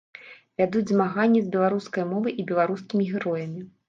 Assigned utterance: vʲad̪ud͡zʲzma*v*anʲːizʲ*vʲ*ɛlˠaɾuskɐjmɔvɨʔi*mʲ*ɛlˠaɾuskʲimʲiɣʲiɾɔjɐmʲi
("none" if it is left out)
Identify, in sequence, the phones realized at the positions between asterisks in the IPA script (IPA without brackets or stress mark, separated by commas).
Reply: ɣ, bʲ, bʲ